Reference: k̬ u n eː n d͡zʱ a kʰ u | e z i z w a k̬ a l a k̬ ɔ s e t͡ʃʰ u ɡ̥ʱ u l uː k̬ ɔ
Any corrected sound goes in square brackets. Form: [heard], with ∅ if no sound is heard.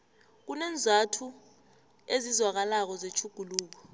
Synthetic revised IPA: k̬ u n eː n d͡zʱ a [tʰ] u | e z i z w a k̬ a l a k̬ ɔ [z] e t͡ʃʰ u ɡ̥ʱ u l uː k̬ ɔ